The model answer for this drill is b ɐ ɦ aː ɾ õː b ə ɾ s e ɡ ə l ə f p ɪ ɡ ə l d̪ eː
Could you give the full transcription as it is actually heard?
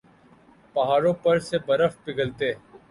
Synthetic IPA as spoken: p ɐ ɦ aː ɾ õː p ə ɾ s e b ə ɾ ə f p ɪ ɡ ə l t̪ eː